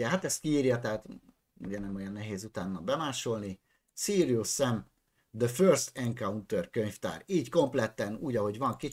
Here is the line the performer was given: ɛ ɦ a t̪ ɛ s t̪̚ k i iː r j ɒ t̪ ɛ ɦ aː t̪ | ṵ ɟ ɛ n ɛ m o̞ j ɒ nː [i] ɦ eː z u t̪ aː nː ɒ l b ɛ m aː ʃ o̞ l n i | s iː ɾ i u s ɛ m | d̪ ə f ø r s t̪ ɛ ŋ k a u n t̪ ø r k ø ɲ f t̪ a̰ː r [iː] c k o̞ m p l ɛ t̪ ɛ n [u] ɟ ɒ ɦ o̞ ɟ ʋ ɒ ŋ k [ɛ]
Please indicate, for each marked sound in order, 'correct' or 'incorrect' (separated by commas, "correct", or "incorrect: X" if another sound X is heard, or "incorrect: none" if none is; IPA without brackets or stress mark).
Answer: incorrect: ɛ, correct, incorrect: uː, incorrect: i